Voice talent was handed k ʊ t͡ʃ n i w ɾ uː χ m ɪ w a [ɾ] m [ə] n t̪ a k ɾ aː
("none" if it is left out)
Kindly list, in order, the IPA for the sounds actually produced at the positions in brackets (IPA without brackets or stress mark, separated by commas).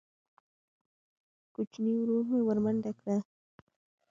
ɾ, a